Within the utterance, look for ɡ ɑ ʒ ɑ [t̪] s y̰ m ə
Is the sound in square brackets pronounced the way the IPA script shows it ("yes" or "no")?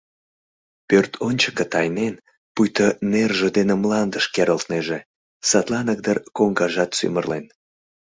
yes